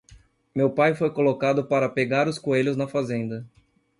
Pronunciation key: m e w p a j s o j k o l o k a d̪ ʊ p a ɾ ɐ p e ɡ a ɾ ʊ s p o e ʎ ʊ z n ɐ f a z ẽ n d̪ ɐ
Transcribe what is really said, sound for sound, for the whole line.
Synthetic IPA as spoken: m e w p a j f o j k o l o k a d̪ ʊ p a ɾ ɐ p e ɡ a ɾ ʊ s k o e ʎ ʊ z n ɐ f a z ẽ n d̪ ɐ